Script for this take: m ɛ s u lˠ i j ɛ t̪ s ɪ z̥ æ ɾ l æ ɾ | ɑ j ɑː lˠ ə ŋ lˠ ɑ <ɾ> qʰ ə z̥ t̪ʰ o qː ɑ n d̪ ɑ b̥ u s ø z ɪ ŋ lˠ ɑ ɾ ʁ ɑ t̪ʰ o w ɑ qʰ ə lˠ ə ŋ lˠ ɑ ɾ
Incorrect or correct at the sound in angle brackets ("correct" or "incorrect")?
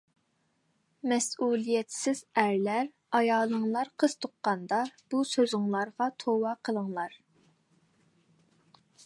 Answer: correct